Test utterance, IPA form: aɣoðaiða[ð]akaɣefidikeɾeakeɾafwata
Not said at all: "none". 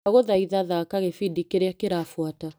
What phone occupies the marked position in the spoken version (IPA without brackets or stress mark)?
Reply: ð